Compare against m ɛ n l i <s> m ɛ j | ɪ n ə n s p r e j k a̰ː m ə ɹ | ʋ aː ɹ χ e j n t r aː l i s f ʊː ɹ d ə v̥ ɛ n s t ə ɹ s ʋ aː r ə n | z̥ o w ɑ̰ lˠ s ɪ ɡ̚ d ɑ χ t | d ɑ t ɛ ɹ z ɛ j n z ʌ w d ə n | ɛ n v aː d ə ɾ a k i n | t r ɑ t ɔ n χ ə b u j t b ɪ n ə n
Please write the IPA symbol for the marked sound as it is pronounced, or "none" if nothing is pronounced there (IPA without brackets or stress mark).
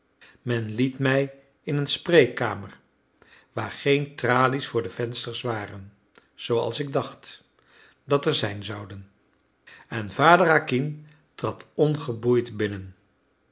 t